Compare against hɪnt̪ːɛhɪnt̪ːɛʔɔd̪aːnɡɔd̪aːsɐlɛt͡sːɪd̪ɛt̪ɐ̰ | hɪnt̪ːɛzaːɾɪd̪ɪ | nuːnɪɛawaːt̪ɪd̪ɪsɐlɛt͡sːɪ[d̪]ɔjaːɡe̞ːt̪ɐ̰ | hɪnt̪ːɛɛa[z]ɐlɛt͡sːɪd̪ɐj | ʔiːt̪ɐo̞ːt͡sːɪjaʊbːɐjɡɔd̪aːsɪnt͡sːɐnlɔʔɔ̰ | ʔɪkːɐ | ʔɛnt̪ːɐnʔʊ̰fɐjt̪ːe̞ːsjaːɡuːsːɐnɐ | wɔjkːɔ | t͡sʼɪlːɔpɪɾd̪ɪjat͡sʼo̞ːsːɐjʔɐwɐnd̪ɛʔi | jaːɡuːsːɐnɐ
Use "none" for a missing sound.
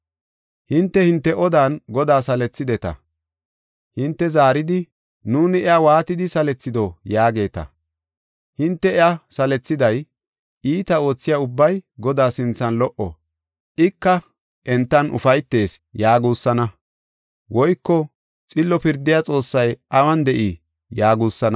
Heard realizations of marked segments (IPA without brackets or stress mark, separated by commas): d̪, s